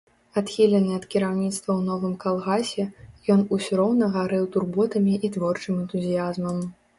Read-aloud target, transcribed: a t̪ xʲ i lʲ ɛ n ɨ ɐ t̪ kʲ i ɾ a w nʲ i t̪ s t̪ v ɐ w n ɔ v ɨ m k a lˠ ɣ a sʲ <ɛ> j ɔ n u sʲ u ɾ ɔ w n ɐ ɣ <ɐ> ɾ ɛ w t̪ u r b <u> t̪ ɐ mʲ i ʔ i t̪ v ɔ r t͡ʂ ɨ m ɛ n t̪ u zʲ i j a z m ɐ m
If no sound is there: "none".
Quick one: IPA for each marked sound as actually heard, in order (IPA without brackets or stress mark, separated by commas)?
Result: ɛ, a, ɔ